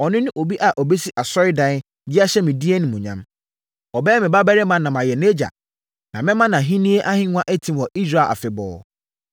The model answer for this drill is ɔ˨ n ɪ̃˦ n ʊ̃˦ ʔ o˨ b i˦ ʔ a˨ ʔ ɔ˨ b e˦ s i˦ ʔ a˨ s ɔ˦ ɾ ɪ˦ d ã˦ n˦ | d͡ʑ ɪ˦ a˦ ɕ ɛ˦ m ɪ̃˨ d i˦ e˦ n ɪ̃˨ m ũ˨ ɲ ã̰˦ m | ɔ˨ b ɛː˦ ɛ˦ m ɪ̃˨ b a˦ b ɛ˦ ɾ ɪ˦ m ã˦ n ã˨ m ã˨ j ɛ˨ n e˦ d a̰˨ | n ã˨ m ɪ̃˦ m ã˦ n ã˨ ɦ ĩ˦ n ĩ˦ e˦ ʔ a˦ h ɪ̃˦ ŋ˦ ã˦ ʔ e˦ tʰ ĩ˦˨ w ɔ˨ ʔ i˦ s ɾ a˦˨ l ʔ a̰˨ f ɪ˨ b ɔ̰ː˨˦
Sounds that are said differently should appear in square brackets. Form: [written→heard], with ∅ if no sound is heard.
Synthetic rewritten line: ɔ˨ n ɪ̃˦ n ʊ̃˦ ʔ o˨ b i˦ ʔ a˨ ʔ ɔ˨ b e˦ s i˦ ʔ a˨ s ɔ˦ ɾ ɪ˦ d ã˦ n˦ | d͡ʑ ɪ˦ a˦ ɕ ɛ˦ m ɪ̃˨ d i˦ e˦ n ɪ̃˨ m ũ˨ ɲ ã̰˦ m | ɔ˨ b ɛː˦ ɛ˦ m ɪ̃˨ b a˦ b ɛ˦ ɾ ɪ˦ m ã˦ n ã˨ m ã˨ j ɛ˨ n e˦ [d→d͡ʑ] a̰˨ | n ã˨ m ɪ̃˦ m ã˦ n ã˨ ɦ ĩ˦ n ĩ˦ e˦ ʔ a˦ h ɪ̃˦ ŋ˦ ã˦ ʔ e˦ tʰ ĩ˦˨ w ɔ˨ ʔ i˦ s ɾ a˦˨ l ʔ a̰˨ f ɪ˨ b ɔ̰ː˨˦